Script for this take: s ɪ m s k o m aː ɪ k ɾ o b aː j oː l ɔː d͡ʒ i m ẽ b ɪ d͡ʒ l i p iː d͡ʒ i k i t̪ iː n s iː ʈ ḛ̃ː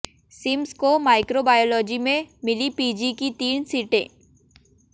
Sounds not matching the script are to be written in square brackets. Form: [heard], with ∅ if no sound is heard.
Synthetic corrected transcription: s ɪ m s k o m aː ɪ k ɾ o b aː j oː l ɔː d͡ʒ i m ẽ [m] ɪ [∅] l i p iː d͡ʒ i k i t̪ iː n s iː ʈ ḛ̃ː